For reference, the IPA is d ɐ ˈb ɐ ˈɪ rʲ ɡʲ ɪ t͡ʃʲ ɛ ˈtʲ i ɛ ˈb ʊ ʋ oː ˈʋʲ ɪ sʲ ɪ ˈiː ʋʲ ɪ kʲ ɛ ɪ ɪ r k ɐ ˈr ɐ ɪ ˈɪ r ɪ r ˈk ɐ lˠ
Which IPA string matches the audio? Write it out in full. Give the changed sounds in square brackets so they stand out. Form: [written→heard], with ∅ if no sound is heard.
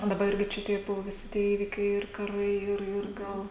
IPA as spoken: d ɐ ˈb ɐ ˈɪ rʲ ɡʲ ɪ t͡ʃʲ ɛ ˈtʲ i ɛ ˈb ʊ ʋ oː ˈʋʲ ɪ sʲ ɪ ˈiː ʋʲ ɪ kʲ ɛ ɪ ɪ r k ɐ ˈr ɐ ɪ ˈɪ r ɪ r [ˈk→ˈɡ] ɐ lˠ